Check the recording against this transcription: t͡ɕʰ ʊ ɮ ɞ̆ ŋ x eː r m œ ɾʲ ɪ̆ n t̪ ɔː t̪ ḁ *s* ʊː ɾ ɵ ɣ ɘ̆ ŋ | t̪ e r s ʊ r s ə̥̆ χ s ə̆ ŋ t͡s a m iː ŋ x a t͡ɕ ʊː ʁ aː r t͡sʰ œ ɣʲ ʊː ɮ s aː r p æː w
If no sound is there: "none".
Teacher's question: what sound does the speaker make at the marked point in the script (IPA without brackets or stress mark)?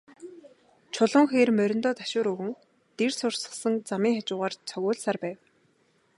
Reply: ʃ